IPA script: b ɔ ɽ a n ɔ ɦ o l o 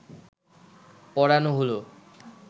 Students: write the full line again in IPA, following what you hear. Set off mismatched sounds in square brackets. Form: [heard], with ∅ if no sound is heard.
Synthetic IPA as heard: [p] ɔ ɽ a n [o] ɦ o l o